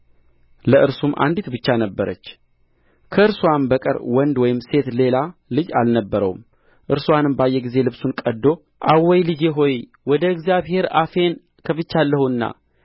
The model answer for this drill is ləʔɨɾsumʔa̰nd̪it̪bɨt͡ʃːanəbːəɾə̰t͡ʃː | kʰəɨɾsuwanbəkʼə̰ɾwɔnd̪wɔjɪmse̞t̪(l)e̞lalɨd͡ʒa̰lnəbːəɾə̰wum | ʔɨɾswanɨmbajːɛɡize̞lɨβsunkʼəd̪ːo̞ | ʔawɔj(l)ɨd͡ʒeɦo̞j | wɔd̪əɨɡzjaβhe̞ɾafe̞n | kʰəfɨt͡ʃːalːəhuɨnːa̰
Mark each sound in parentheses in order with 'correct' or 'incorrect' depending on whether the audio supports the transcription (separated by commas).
correct, correct